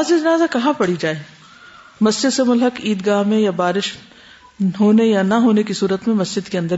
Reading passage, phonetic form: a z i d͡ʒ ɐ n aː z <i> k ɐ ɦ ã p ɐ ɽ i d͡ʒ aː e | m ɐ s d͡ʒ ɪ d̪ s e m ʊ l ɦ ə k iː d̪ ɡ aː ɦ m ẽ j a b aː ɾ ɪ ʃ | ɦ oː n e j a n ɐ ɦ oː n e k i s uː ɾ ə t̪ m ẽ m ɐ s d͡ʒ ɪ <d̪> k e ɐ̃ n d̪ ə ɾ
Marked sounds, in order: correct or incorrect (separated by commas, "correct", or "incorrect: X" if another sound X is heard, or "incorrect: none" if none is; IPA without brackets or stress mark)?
incorrect: a, correct